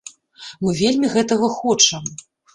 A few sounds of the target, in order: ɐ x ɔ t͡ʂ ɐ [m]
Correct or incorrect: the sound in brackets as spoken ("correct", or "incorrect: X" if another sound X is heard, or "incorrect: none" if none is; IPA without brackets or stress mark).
correct